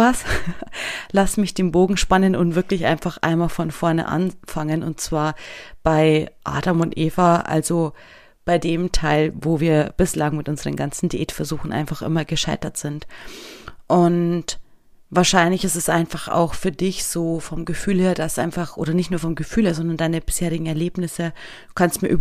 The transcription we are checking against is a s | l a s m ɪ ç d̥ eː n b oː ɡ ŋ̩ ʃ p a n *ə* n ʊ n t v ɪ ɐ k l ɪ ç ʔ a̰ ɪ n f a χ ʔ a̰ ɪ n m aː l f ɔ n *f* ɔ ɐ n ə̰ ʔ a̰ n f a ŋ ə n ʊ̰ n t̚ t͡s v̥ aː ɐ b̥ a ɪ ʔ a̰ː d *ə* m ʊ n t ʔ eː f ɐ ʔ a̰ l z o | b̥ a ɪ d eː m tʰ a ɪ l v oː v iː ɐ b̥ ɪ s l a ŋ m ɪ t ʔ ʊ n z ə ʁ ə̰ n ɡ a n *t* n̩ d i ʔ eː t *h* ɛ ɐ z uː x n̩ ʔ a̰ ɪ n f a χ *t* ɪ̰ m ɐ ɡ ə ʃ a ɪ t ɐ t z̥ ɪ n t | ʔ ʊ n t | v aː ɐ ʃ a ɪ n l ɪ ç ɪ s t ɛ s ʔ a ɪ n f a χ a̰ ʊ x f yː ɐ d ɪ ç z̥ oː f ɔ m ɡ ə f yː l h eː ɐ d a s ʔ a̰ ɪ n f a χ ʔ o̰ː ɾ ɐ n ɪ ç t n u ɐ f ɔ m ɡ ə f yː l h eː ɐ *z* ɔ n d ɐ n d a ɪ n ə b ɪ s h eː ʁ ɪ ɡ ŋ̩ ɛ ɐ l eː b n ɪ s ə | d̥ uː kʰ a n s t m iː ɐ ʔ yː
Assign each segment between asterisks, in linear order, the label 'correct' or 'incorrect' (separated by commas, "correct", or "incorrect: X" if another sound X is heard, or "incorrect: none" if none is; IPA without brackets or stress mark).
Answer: correct, correct, incorrect: a, incorrect: t͡s, incorrect: f, incorrect: ʔ, correct